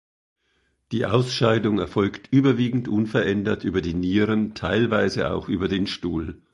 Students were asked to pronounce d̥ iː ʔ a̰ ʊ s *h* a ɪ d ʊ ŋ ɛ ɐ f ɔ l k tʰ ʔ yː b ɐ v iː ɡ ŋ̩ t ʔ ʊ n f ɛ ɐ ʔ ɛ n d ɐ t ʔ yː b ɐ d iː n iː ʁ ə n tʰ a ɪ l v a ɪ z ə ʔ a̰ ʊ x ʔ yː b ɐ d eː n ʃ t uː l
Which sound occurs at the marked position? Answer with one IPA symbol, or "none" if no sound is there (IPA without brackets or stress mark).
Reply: ʃ